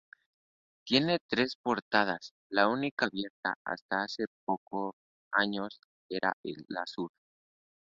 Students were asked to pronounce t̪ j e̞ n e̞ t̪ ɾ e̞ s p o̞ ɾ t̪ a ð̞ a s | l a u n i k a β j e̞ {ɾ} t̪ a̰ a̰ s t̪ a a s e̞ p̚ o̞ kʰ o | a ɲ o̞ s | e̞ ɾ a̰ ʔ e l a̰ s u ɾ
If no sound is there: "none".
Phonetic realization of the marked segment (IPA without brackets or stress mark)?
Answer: ɾ